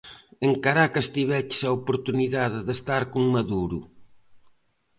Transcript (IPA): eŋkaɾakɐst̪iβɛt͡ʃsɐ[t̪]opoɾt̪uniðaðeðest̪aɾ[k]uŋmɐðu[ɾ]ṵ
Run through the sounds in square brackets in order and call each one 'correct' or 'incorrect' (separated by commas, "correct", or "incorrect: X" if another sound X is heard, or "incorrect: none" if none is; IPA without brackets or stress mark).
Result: incorrect: none, correct, correct